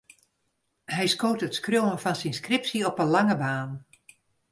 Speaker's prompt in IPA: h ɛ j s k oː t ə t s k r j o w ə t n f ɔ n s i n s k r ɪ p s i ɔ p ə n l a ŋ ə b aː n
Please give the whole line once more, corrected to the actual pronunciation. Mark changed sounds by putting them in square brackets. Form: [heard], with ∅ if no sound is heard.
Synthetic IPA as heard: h ɛ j s k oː t ə t s k r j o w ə [∅] n f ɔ n s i n s k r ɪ p s i ɔ p ə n l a ŋ ə b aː n